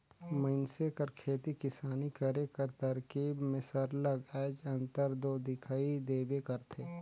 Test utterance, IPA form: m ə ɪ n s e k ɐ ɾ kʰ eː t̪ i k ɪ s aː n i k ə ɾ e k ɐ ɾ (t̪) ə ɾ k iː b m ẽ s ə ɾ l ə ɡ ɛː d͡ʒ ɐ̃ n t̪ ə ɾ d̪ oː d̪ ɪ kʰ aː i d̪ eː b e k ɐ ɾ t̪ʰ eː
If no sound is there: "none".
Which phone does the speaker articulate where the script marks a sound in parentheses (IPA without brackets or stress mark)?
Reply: t̪